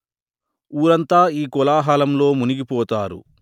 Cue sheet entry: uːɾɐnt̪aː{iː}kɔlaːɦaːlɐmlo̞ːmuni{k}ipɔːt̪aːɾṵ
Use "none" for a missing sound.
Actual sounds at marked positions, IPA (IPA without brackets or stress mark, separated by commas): iː, ɡ